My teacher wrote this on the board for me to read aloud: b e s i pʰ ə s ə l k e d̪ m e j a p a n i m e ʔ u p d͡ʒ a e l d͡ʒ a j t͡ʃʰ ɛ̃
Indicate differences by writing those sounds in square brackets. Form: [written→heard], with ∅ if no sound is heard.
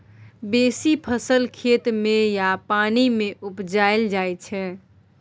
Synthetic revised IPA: b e s i pʰ ə s ə l [k→kʰ] e [d̪→t̪] m e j a p a n i m e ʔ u p d͡ʒ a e l d͡ʒ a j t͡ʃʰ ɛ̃